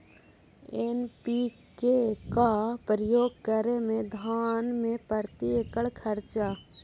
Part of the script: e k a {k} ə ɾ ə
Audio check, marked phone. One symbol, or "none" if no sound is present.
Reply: p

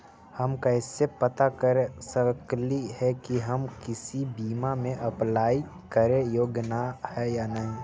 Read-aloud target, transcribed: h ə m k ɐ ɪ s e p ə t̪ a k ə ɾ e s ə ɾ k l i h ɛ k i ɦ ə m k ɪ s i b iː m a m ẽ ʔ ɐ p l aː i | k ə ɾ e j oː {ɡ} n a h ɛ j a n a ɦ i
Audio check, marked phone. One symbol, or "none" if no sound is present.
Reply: ɡ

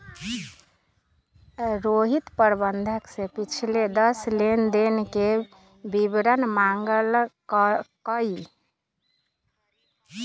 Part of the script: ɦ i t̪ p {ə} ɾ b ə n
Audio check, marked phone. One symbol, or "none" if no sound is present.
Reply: ə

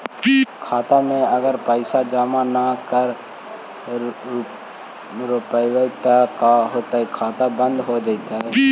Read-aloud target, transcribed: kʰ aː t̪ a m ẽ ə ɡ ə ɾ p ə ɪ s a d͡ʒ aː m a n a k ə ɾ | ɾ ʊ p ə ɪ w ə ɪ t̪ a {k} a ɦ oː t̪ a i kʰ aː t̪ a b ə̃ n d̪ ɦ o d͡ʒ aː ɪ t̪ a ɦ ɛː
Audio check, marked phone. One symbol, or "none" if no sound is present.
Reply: k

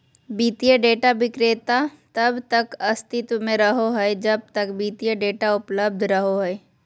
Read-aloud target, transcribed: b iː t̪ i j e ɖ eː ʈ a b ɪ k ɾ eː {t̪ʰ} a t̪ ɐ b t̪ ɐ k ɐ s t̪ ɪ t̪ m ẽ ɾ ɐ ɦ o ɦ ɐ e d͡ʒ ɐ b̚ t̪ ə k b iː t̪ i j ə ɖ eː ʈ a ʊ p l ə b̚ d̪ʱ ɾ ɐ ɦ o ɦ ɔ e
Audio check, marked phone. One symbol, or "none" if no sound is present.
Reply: t̪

